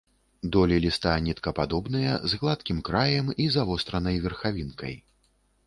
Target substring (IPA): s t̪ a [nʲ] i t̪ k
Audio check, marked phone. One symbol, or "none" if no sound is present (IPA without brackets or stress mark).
nʲ